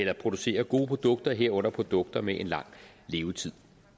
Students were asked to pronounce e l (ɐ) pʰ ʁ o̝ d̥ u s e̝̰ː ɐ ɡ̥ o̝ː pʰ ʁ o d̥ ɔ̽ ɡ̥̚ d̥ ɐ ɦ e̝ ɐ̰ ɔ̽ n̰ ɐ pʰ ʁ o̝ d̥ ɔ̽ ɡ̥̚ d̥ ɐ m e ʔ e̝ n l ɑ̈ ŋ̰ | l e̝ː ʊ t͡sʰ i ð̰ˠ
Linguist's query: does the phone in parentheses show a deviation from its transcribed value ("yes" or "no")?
no